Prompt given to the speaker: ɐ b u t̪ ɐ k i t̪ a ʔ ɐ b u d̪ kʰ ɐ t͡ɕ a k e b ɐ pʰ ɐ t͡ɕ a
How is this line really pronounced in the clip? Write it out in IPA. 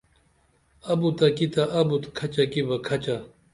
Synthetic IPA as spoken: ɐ b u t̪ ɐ k i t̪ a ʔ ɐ b u t̪ kʰ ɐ t͡ɕ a k i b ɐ kʰ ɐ t͡ɕ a